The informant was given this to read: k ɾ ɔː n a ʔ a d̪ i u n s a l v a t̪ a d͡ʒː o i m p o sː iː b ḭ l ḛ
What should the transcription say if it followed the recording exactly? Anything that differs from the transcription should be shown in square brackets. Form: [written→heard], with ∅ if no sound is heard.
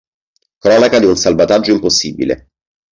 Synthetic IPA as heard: k ɾ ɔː n a [ʔ→k] a d̪ i u n s a l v a t̪ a d͡ʒː o i m p o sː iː b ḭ l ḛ

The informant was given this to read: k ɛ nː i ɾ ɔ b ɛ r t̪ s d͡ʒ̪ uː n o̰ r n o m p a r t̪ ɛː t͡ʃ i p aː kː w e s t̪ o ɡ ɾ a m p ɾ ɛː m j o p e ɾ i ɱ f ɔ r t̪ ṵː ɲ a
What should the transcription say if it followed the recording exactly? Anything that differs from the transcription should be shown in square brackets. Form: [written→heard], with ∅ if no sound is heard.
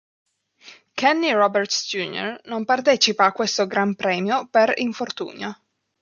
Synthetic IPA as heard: k ɛ nː i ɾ ɔ b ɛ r t̪ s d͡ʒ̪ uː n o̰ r n o m p a r t̪ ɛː t͡ʃ i p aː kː w e s t̪ o ɡ ɾ a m p ɾ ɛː m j o p e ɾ i ɱ f [ɔ→o] r t̪ ṵː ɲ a

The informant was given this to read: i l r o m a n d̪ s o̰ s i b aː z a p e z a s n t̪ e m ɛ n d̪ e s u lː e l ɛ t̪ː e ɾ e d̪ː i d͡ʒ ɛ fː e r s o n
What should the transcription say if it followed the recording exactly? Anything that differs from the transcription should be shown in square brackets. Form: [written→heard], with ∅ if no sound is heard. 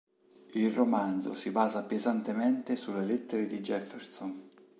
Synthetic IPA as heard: i l r o m a n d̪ [s→z] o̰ s i b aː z a p e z a [s→∅] n t̪ e m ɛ n [d̪→t̪] e s u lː e l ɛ t̪ː e ɾ e [d̪ː→d̪] i d͡ʒ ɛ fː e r s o n

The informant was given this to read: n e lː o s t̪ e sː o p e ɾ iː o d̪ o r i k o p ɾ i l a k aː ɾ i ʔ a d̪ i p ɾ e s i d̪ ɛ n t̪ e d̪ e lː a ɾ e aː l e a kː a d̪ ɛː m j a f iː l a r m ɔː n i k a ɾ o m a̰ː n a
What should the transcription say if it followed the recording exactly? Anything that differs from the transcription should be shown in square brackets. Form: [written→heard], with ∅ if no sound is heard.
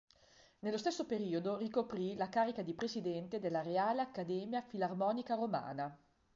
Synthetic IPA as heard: n e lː o s t̪ e sː o p e ɾ iː o d̪ o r i k o p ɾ i l a k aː ɾ i [ʔ→k] a d̪ i p ɾ e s i d̪ ɛ n t̪ e d̪ e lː a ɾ e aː l e a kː a d̪ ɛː m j a f [iː→i] l a r m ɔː n i k a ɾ o m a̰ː n a

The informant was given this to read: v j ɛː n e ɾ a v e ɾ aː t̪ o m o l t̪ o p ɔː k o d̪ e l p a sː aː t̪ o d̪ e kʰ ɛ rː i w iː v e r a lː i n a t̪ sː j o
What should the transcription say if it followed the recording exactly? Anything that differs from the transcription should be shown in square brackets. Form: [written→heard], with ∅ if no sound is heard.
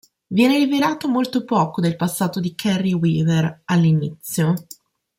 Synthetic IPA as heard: v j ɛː n e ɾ [a→i] v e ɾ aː t̪ o m o l t̪ o p ɔː k o d̪ e l p a sː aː t̪ o d̪ [e→i] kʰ ɛ rː i w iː v e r a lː i n [a→i] t̪ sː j o

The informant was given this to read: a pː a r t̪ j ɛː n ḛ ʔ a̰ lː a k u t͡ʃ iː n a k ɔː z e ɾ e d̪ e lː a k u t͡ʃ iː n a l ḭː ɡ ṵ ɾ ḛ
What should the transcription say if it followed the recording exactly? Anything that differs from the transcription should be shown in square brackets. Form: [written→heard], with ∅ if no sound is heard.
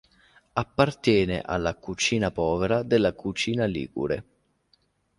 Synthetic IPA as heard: a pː a r t̪ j ɛː n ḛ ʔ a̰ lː a k u t͡ʃ iː n a [k→p] ɔː [z→v] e ɾ [e→a] d̪ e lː a k u t͡ʃ iː n a l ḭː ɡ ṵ ɾ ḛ

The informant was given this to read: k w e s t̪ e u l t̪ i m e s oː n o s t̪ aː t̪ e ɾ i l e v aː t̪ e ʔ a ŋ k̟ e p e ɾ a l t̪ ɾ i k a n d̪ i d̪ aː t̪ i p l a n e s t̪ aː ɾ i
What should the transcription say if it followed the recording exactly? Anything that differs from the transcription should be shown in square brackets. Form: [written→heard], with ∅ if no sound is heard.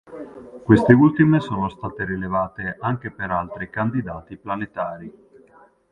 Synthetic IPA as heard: k w e s t̪ e u l t̪ i m e s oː n o s t̪ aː t̪ e ɾ i l e v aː t̪ e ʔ a ŋ k̟ e p e ɾ a l t̪ ɾ i k a n d̪ i d̪ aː t̪ i p l a n e [s→∅] t̪ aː ɾ i

